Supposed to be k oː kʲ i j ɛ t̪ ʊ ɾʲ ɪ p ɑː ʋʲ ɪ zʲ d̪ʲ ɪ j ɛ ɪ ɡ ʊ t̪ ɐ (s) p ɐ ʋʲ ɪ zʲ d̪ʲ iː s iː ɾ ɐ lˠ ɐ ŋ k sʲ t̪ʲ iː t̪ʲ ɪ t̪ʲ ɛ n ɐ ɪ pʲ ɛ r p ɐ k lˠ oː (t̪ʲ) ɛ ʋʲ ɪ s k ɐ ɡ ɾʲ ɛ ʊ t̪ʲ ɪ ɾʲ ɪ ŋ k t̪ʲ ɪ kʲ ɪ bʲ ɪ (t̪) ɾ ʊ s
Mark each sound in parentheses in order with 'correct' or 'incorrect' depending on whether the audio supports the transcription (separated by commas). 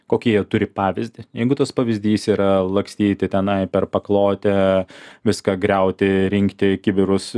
correct, correct, incorrect